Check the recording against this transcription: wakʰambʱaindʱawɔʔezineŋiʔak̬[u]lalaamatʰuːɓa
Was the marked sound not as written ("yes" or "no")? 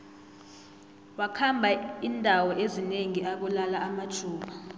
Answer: no